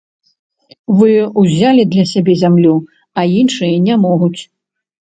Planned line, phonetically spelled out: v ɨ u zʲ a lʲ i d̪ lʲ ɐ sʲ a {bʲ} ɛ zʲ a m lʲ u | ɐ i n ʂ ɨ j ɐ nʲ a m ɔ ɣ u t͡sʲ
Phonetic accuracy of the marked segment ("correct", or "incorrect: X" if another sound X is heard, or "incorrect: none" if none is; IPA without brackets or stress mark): correct